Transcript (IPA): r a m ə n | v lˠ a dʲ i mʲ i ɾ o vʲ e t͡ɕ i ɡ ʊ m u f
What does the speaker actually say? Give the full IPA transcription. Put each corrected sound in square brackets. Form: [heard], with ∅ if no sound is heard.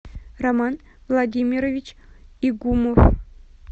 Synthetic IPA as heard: r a m [ɑ] n | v lˠ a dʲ i mʲ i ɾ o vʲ [i] t͡ɕ i ɡ [u] m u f